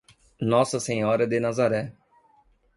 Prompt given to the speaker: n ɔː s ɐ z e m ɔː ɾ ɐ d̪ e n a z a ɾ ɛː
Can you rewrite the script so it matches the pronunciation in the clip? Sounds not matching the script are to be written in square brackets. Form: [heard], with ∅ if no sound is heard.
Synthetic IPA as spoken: n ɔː s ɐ [s] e [ɲ] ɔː ɾ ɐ d̪ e n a z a ɾ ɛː